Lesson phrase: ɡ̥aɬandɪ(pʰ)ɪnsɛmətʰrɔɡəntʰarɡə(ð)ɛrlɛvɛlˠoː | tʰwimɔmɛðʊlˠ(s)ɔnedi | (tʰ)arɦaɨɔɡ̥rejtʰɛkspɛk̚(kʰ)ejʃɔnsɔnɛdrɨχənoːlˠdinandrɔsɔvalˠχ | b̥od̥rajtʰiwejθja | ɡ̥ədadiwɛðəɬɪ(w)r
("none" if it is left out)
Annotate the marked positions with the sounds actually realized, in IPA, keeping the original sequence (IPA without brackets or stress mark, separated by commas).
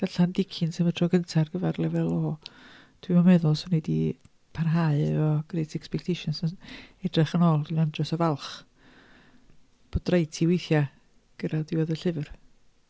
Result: kʰ, v, s, pʰ, tʰ, v